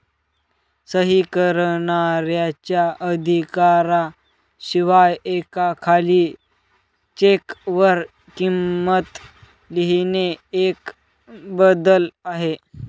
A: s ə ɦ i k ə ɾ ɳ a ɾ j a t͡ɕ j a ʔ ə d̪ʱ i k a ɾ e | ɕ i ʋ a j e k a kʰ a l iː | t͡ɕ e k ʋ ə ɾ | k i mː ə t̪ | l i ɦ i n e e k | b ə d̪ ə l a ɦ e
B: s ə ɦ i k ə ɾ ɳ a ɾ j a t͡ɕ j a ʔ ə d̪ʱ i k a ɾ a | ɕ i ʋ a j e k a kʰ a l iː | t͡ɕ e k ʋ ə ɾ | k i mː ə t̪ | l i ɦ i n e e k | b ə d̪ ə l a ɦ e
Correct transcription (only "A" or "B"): B